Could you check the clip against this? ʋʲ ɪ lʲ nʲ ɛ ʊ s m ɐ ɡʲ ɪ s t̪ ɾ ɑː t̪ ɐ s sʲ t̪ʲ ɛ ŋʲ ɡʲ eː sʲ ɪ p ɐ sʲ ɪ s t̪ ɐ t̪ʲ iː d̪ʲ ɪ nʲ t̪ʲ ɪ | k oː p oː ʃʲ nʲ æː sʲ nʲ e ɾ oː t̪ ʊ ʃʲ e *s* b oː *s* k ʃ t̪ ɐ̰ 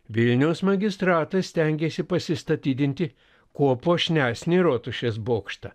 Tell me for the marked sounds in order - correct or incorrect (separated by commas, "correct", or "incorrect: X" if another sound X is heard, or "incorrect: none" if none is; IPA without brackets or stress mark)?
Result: correct, incorrect: none